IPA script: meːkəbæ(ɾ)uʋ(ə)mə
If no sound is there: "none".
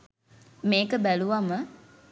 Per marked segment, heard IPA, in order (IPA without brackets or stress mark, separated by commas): l, a